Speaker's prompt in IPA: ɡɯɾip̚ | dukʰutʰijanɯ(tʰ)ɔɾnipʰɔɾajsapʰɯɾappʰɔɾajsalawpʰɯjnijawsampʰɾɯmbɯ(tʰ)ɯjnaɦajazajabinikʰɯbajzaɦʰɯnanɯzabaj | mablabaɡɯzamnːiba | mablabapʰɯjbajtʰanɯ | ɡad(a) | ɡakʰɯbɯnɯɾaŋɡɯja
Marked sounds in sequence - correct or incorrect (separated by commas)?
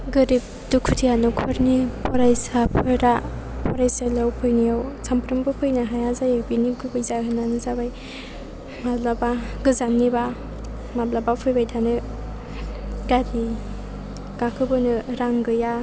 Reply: incorrect, incorrect, incorrect